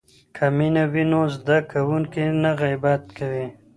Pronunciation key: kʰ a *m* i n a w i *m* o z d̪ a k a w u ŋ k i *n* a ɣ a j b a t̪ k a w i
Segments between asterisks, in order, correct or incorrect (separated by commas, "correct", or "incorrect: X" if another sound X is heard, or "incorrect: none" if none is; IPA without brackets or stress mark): correct, incorrect: n, correct